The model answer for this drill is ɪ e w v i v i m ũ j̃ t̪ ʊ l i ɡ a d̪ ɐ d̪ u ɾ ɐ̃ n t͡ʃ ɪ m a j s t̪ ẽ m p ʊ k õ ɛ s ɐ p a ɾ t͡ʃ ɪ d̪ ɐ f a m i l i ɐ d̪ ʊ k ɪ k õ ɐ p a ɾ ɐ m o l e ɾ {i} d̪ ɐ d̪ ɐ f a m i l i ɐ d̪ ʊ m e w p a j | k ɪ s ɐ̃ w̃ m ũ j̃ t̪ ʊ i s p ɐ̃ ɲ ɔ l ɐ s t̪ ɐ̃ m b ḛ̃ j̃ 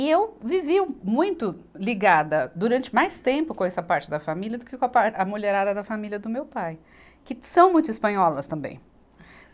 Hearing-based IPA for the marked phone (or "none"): a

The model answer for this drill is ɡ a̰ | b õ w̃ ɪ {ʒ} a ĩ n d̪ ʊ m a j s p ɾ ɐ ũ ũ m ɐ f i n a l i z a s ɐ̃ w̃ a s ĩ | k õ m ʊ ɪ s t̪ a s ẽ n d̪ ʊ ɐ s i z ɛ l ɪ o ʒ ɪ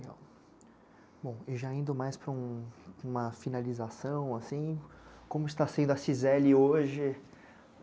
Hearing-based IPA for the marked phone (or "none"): ʒ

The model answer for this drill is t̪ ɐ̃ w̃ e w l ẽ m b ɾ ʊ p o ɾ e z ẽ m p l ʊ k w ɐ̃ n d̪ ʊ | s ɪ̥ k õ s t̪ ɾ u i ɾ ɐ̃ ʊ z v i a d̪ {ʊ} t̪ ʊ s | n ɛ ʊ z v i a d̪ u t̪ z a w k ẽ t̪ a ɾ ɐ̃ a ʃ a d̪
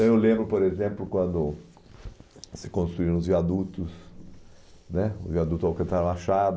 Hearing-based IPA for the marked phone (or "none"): u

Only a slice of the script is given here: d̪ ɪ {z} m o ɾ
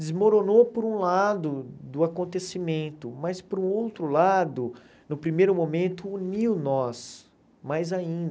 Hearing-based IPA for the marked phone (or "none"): z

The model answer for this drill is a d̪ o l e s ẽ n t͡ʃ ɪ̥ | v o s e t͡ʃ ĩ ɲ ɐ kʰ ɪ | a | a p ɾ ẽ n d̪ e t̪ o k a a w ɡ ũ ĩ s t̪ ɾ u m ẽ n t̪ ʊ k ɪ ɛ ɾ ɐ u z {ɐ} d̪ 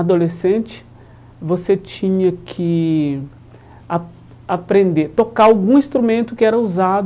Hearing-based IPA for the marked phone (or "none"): a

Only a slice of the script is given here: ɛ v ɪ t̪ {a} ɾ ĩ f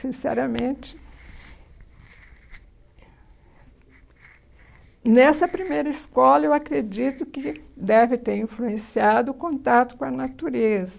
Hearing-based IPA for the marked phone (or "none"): e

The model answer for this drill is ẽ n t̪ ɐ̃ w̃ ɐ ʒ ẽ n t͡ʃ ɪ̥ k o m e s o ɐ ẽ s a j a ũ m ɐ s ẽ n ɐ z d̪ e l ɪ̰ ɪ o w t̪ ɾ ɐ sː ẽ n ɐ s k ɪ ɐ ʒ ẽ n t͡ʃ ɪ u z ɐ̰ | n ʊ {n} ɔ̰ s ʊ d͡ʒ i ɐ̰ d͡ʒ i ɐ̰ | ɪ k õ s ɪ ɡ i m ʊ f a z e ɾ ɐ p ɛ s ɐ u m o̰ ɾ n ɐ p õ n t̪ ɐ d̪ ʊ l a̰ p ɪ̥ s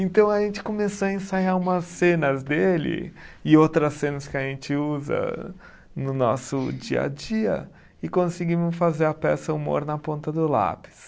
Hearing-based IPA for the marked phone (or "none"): n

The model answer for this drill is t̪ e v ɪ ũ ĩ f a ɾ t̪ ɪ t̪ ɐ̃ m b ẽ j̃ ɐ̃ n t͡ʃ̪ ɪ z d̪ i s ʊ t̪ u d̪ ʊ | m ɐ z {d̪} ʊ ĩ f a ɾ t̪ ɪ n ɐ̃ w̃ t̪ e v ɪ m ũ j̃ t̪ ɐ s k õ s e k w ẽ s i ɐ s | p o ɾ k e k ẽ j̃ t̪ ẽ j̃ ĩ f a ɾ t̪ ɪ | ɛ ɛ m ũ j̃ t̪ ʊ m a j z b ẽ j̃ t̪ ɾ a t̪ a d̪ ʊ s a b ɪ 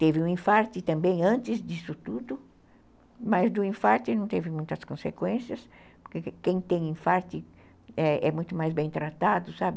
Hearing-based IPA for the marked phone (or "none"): d̪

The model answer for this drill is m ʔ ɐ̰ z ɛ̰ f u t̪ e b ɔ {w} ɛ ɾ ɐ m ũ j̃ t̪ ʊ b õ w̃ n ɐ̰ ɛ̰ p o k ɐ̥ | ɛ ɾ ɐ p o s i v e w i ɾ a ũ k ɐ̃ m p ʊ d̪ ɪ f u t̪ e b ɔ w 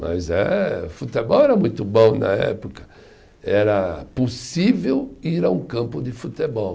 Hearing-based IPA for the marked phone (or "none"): w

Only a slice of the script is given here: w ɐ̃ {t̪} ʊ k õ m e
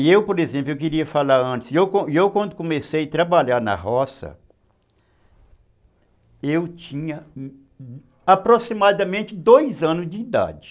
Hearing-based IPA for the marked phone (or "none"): d̪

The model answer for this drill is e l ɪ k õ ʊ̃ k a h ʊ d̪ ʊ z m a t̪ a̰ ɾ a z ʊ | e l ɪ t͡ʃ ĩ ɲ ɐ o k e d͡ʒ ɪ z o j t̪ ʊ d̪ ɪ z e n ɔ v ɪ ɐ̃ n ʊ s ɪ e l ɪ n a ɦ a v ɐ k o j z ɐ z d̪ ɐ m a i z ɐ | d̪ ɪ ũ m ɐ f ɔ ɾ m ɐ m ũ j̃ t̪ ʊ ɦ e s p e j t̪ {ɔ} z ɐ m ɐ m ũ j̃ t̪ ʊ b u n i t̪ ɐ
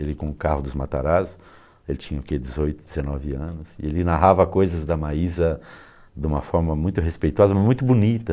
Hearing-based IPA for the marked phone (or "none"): ɔ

